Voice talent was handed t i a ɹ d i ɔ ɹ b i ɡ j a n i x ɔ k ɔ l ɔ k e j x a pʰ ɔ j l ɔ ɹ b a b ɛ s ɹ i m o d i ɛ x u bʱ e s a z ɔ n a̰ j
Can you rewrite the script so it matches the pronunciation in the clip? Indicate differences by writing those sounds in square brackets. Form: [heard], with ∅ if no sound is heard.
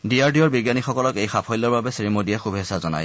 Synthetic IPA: [d] i a ɹ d i ɔ ɹ b i ɡ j a n i x ɔ k ɔ l ɔ k e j x a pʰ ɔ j l ɔ ɹ b a b ɛ s ɹ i m o d i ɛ x u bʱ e s a z ɔ n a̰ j